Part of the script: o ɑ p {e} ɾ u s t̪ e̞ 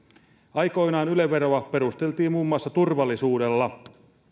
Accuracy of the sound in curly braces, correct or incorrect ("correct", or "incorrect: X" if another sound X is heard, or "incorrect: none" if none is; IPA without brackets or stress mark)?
correct